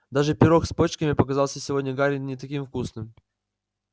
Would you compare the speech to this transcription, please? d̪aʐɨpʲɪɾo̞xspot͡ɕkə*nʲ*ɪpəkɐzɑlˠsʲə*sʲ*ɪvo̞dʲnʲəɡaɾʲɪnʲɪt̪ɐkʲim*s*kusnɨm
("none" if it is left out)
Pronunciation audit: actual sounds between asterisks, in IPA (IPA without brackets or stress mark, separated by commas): mʲ, sʲ, f